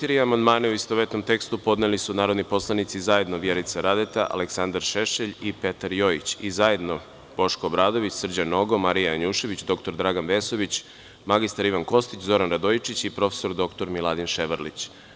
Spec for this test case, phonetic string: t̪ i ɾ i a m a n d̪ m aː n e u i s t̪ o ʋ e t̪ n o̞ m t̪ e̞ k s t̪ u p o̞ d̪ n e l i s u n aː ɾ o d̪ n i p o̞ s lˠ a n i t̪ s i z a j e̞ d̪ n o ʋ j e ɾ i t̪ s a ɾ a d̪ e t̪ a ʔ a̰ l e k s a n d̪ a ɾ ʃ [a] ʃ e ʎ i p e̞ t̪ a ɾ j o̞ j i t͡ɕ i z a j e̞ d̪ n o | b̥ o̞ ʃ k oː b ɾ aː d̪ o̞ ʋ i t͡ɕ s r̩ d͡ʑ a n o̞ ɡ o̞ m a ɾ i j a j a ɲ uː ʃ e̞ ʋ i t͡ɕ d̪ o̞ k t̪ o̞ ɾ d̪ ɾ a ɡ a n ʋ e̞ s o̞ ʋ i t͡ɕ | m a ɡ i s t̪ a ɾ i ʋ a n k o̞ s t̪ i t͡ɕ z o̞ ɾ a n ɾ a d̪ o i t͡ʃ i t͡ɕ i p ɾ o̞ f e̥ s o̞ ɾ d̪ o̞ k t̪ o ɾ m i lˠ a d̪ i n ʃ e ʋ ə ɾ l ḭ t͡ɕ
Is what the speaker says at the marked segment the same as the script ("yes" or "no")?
no